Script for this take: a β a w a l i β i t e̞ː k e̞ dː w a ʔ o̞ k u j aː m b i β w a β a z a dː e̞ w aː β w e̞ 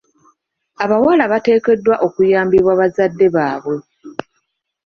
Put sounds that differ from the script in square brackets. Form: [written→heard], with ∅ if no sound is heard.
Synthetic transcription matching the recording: a β a w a l [i→a] β [i→a] t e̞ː k e̞ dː w a ʔ o̞ k u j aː m b i β w a β a z a dː e̞ [w→β] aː β w e̞